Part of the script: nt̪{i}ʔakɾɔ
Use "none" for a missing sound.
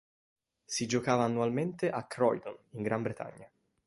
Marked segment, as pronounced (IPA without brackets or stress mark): e